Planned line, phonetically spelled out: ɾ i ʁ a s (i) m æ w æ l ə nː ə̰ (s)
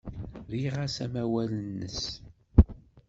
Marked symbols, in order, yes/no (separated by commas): no, yes